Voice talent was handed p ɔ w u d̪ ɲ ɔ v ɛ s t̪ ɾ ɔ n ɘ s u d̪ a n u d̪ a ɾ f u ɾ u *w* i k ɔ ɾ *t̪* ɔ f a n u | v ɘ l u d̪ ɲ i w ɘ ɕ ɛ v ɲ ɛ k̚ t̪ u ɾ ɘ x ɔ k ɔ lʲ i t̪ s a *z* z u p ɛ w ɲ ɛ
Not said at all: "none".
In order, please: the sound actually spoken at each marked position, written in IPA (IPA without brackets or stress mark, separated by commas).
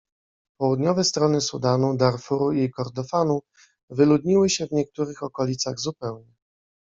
none, d̪, ɣ